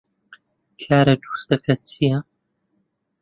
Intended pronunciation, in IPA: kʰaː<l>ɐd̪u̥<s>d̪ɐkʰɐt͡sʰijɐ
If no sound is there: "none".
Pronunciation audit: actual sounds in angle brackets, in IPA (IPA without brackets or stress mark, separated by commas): ɾ, s